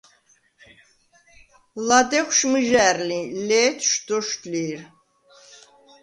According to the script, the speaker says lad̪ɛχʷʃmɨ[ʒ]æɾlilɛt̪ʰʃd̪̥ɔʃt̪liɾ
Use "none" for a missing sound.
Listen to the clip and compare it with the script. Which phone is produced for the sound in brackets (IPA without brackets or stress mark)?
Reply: ʒ